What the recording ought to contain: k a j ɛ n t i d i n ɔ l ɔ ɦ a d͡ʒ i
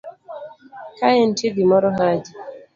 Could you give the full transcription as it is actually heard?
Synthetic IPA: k a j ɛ n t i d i m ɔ ɾ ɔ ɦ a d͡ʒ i